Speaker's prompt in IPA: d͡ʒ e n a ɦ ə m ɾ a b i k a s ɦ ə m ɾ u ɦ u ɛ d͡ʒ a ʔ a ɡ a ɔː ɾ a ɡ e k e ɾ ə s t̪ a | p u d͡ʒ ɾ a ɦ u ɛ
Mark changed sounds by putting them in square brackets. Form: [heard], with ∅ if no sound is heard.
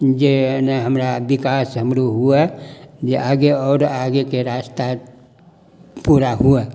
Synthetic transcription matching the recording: d͡ʒ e n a ɦ ə m ɾ a b i k a s ɦ ə m ɾ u ɦ u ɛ d͡ʒ [e] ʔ a ɡ [e] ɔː ɾ a ɡ e k e ɾ [a] s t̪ a | p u [∅] ɾ a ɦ u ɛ